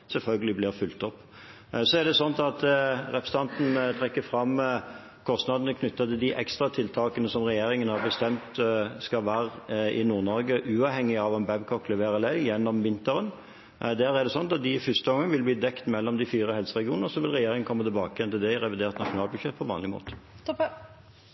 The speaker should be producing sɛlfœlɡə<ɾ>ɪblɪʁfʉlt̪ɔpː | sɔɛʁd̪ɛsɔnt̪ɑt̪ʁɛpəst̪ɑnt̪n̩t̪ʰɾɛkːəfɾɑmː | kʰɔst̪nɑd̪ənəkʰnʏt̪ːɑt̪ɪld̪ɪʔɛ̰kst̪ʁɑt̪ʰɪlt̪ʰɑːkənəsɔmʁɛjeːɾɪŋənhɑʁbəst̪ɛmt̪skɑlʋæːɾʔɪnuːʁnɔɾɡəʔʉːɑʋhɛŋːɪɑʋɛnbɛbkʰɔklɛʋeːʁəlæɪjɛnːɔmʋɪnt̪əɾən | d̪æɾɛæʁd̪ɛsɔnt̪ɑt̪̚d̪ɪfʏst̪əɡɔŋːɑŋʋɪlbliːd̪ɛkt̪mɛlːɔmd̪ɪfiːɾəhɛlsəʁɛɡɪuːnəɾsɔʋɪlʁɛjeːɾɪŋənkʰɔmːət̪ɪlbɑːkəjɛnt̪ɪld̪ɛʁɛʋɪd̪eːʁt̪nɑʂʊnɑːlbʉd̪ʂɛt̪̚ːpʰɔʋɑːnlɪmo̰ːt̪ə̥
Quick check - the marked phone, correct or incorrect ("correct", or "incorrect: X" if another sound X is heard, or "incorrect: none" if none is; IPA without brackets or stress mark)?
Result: incorrect: l